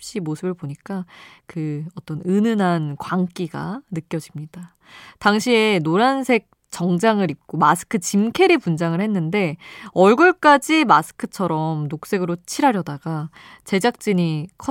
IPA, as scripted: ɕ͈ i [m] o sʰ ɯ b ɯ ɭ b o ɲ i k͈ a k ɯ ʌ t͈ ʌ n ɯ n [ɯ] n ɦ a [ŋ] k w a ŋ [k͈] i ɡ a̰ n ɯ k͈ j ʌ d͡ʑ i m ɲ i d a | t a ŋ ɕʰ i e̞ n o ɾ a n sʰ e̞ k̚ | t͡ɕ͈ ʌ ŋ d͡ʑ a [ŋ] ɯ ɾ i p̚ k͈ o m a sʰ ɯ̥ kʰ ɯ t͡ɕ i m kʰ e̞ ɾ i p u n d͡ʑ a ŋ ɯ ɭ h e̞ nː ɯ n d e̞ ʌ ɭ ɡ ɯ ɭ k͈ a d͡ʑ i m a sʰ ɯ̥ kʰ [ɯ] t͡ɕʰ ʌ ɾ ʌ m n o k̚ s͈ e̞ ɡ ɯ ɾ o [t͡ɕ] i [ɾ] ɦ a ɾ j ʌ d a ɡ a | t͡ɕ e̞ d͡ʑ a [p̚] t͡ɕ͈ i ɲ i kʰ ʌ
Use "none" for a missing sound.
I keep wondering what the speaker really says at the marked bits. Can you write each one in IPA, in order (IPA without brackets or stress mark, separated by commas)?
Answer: m, ɯ, n, k͈, ŋ, ɯ, t͡ɕʰ, ɾ, k̚